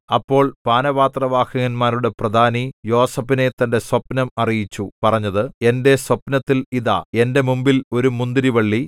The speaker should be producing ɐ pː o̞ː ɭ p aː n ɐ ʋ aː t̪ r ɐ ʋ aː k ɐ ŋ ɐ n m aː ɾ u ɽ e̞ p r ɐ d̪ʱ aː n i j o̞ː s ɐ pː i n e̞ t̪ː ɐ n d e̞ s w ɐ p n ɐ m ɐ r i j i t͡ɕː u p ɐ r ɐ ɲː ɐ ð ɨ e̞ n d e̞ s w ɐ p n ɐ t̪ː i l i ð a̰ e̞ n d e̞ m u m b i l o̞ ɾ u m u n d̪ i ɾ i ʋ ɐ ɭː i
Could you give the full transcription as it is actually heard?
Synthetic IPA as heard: ɐ pː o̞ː ɭ p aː n ɐ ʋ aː t̪ r ɐ ʋ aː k ɐ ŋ ɐ n m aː ɾ u ɽ e̞ p r ɐ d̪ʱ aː n i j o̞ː s ɐ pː i n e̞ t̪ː ɐ n d e̞ s w ɐ p n ɐ m ɐ r i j i t͡ɕː u p ɐ r ɐ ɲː ɐ ð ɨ e̞ n d e̞ s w ɐ p n ɐ t̪ː i l i ð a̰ e̞ n d e̞ m u m b i l o̞ ɾ u m u n d̪ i ɾ i ʋ ɐ ɭː i